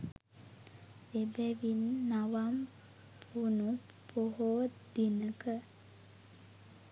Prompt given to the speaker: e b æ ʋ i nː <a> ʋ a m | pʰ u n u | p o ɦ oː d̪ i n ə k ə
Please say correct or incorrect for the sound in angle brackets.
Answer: correct